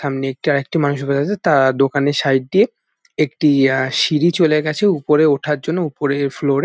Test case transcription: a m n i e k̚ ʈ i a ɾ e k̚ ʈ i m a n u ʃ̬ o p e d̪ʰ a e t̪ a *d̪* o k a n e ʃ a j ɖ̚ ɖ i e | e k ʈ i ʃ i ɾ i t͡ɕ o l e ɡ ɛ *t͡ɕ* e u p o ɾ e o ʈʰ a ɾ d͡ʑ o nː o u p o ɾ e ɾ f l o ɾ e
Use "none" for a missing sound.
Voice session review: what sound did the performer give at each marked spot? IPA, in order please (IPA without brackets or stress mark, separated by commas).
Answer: d̪, t͡ɕʰ